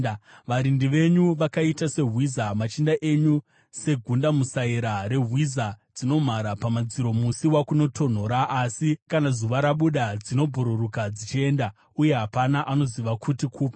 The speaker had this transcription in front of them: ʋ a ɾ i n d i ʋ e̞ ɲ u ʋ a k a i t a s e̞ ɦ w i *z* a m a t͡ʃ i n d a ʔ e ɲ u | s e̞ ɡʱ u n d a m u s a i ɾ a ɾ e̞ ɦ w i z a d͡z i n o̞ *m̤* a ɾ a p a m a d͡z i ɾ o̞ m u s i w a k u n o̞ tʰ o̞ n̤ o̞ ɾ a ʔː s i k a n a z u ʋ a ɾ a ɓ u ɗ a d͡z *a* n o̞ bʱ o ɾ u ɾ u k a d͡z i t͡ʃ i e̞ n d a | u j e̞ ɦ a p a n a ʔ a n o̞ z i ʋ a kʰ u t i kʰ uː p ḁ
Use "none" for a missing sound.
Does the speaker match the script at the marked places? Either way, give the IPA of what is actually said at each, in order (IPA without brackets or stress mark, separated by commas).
z, m̤, i